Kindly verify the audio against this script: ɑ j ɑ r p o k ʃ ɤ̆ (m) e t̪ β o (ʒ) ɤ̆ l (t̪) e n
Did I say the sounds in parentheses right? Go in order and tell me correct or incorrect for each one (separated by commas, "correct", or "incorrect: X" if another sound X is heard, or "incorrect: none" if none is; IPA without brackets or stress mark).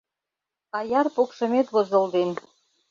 correct, incorrect: z, incorrect: d̪